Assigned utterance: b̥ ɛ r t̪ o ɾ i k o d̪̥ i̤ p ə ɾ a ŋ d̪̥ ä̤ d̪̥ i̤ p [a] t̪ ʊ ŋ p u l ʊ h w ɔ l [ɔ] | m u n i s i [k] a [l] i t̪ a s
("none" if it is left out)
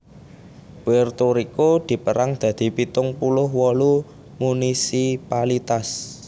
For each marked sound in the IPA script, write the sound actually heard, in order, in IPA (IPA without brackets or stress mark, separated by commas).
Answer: i, u, p, l